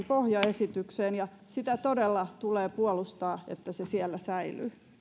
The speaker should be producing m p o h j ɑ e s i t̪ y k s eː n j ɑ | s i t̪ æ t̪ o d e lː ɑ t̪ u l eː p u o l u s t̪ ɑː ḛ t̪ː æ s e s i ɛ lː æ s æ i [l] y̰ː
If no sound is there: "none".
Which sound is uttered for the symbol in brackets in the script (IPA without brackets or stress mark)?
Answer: l